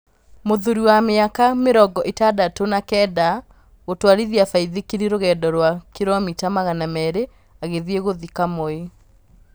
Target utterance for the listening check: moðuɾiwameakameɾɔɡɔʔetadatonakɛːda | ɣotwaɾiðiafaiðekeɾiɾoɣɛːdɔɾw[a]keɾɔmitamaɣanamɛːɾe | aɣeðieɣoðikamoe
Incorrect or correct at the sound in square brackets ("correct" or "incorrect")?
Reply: correct